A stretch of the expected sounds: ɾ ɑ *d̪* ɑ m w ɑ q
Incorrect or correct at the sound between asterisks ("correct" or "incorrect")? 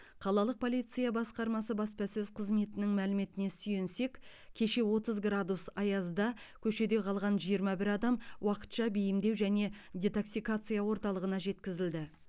correct